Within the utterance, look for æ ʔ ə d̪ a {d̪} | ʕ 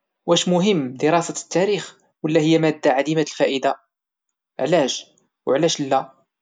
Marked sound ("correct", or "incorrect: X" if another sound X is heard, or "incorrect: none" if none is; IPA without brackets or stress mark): incorrect: none